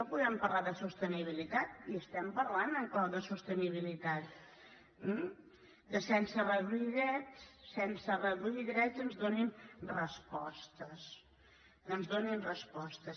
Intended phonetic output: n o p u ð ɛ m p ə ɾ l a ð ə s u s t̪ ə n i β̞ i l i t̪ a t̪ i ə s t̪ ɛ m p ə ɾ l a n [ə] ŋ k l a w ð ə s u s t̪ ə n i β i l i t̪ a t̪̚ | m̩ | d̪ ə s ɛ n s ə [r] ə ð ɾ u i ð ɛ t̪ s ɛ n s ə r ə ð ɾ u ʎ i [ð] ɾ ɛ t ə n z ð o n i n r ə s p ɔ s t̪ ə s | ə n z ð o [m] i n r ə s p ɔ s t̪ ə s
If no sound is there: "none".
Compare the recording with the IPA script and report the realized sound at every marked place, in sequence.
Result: ə, r, ð, n

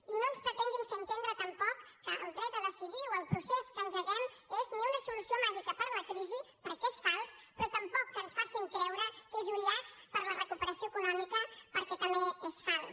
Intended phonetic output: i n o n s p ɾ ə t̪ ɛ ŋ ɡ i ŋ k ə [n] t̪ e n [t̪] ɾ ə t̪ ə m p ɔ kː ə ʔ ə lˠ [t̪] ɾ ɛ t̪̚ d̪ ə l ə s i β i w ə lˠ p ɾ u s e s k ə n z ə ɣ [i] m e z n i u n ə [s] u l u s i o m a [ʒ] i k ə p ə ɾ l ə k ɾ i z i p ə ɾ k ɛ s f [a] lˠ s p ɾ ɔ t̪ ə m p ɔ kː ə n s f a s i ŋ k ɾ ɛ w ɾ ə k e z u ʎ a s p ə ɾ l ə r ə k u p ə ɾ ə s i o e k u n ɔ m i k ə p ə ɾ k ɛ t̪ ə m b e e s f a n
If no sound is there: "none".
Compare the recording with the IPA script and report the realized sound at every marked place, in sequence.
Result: n, d̪, d̪, ɛ, s, ʒ, a

